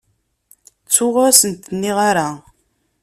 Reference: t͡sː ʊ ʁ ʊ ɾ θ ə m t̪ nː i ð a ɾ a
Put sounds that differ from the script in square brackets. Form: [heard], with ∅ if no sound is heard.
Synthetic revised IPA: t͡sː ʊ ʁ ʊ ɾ [s] ə [n] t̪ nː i [ʁ] a ɾ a